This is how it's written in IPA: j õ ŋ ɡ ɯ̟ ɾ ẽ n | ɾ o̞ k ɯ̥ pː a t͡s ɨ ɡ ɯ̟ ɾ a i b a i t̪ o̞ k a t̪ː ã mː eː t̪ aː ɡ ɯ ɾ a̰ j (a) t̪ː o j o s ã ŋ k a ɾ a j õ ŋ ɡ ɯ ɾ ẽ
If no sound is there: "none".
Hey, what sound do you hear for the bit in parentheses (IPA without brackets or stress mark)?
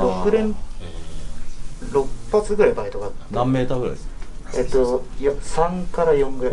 e